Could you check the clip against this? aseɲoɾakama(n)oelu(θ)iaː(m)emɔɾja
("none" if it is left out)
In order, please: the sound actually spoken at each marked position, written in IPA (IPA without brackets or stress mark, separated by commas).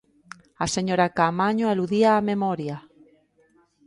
ɲ, ð, m